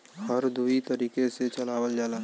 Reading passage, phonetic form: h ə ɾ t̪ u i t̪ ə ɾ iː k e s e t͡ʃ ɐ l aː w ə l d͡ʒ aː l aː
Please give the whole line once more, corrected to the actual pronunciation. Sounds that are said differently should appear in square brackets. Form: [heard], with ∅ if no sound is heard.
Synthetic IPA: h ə ɾ [d̪] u i t̪ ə ɾ iː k e s e t͡ʃ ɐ l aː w ə l d͡ʒ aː l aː